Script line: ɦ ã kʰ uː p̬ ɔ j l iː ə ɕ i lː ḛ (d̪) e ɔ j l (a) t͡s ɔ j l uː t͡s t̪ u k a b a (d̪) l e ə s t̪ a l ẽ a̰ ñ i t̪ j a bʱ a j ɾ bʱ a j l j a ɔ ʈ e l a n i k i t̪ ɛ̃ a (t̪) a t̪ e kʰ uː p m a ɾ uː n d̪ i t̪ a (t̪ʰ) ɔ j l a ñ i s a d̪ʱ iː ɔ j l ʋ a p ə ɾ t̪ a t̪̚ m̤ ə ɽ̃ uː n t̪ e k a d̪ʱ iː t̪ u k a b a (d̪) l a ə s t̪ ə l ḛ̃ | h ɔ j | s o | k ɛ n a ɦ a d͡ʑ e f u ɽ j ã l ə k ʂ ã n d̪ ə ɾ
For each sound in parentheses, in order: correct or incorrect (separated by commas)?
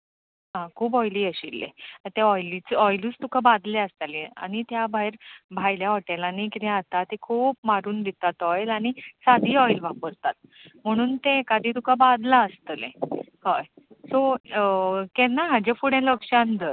incorrect, incorrect, correct, correct, incorrect, correct